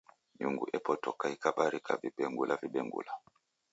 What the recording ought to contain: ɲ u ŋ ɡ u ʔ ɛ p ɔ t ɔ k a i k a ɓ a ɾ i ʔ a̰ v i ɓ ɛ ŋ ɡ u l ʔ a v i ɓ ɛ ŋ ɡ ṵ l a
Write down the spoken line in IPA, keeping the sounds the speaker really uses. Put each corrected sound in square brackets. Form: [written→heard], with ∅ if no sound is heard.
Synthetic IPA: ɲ u ŋ ɡ u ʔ ɛ p ɔ t ɔ k a i k a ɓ a ɾ i [ʔ→k] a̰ v i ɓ ɛ ŋ ɡ u l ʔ a v i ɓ ɛ ŋ ɡ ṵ l a